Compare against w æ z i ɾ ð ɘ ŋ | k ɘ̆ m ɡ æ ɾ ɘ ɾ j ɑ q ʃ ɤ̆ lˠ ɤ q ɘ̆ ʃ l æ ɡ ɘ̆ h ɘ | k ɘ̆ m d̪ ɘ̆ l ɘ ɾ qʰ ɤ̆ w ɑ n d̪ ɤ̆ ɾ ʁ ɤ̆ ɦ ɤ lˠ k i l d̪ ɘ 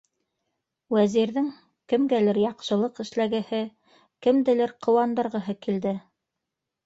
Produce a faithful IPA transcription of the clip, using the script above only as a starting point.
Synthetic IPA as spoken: w æ z i ɾ ð ɘ ŋ | k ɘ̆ m ɡ æ l ɘ ɾ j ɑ q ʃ ɤ̆ lˠ ɤ q ɘ̆ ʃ l æ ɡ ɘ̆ h ɘ | k ɘ̆ m d̪ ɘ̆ l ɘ ɾ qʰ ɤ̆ w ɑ n d̪ ɤ̆ ɾ ʁ ɤ̆ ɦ ɤ k i l d̪ ɘ